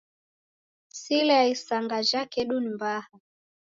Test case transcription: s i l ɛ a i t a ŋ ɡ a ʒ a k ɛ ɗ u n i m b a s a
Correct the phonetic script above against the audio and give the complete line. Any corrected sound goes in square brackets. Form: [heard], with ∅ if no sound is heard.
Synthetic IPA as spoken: s i l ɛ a i [s] a ŋ ɡ a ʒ a k ɛ ɗ u n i m b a [h] a